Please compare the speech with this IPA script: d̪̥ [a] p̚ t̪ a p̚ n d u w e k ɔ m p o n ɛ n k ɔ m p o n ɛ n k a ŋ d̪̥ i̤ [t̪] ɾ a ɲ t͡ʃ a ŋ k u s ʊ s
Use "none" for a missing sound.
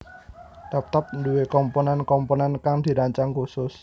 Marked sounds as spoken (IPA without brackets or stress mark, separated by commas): a, none